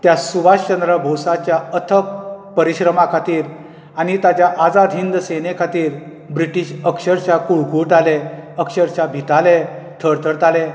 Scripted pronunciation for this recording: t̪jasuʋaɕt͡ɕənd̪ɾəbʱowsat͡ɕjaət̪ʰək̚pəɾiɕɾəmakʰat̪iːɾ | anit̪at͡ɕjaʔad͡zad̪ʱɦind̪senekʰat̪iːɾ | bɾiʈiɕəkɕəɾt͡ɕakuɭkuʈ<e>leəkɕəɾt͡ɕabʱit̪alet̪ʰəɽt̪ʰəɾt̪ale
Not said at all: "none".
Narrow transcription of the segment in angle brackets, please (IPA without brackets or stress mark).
a